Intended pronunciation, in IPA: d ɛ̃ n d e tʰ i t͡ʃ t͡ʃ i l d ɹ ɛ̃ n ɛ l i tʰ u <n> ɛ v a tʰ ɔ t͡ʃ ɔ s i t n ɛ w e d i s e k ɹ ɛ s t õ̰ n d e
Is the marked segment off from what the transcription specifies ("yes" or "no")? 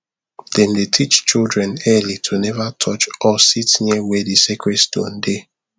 no